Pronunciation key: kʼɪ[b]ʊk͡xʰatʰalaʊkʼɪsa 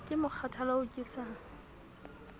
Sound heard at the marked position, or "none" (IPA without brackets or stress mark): m